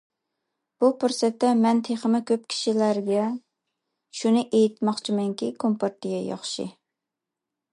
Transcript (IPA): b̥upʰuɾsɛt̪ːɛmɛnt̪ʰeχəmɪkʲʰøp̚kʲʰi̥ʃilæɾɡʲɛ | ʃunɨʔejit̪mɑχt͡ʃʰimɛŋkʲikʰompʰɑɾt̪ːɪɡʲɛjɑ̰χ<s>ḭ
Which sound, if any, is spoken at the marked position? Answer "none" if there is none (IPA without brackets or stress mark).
ʃ